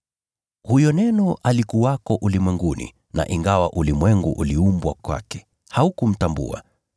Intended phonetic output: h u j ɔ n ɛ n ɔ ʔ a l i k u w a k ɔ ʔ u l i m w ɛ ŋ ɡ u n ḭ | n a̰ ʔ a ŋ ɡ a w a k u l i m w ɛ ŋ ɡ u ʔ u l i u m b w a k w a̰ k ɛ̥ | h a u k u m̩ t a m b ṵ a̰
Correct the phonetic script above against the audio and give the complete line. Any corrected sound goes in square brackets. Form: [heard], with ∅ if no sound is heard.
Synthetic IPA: h u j ɔ n ɛ n ɔ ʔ a l i k u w a k ɔ ʔ u l i m w ɛ ŋ ɡ u n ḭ | n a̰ ʔ [i] ŋ ɡ a w a [ʔ] u l i m w ɛ ŋ ɡ u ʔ u l i u m b w a k w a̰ k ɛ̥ | h a u k u m̩ t a m b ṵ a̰